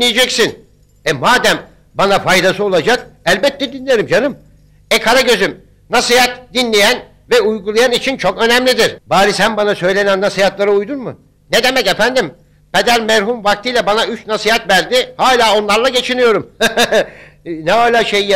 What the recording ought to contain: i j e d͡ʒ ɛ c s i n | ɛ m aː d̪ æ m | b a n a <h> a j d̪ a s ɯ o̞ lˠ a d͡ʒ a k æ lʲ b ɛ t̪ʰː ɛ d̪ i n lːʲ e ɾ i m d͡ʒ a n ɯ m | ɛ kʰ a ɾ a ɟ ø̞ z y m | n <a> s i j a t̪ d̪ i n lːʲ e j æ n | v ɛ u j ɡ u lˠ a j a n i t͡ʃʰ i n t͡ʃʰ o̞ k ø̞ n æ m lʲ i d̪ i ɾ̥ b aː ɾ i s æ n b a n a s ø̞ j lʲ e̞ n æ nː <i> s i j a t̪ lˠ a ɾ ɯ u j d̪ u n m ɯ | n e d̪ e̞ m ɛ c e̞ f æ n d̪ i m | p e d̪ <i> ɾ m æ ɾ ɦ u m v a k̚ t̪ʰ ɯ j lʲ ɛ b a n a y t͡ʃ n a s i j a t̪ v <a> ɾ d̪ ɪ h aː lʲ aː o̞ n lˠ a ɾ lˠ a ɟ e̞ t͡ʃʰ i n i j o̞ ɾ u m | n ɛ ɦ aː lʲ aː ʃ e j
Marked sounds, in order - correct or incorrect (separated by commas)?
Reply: incorrect, correct, incorrect, incorrect, incorrect